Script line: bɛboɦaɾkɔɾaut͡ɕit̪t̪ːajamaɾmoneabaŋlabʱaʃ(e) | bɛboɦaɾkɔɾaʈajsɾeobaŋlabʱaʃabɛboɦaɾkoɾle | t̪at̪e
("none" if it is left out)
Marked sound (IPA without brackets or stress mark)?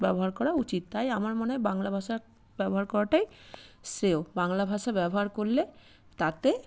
a